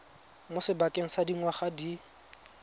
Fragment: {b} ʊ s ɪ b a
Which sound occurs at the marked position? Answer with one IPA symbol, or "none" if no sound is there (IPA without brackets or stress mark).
m